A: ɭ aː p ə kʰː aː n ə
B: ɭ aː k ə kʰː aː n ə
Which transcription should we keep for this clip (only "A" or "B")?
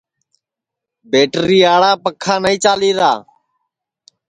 A